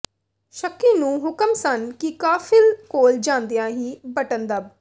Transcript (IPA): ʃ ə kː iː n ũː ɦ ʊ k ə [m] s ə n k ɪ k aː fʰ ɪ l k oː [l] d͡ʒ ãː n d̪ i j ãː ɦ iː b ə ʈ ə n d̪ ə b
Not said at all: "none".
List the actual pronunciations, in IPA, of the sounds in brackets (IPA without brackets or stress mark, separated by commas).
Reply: m, l